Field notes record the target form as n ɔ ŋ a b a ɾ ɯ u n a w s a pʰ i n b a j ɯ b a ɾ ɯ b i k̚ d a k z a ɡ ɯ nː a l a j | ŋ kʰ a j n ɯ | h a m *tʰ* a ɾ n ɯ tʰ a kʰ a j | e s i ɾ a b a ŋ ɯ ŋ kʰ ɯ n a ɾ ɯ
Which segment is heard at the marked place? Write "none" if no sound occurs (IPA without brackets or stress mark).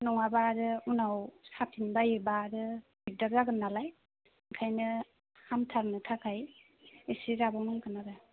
tʰ